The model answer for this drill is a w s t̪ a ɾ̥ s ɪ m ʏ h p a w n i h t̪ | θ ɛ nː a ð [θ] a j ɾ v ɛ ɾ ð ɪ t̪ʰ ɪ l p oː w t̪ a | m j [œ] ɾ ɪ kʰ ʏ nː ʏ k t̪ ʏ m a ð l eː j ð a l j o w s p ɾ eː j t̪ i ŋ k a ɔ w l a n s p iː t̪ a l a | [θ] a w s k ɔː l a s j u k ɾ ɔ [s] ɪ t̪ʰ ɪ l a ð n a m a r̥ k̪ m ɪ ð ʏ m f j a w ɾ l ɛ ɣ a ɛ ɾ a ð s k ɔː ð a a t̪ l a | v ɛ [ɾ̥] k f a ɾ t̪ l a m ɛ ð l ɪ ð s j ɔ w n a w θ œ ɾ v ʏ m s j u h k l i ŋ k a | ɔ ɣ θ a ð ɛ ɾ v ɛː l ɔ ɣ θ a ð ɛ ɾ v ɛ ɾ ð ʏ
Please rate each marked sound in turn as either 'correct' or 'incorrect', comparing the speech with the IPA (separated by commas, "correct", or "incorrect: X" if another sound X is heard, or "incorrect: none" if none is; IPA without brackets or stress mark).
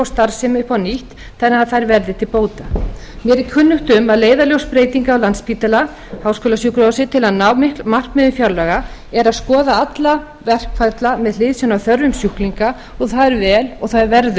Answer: correct, incorrect: ɛ, incorrect: h, correct, incorrect: r̥